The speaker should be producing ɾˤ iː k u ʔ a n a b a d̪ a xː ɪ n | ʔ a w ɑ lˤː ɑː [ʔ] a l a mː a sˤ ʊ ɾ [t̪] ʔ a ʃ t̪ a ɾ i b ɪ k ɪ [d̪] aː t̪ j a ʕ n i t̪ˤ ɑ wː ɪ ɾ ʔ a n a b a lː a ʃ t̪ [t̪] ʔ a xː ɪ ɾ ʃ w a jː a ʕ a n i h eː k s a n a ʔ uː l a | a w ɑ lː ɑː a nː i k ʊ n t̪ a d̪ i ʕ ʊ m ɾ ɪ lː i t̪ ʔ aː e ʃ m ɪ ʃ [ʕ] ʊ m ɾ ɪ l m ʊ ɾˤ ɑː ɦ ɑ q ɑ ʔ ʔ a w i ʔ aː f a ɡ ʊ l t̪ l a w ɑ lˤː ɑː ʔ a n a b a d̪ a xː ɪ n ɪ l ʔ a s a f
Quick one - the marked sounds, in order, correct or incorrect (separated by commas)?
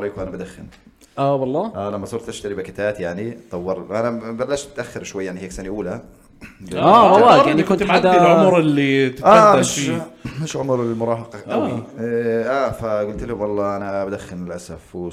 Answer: correct, correct, incorrect, correct, correct